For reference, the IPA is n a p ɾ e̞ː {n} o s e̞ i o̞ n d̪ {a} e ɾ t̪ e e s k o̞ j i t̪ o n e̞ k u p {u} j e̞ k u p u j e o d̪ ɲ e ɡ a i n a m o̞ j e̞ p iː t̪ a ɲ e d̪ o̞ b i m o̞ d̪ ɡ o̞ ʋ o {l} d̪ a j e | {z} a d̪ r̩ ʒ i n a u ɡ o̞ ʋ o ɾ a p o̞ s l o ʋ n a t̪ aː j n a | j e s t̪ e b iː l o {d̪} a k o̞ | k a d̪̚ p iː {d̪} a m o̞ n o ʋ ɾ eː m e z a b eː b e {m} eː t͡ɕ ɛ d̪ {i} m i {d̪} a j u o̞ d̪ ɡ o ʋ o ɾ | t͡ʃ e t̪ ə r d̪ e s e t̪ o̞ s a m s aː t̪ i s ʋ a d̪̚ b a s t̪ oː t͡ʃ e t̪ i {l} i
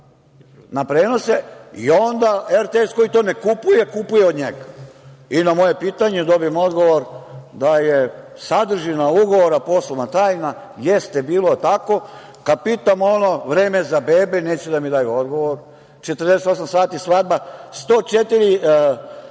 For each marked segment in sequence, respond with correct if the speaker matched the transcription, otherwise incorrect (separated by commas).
correct, correct, correct, incorrect, incorrect, incorrect, incorrect, incorrect, incorrect, correct, incorrect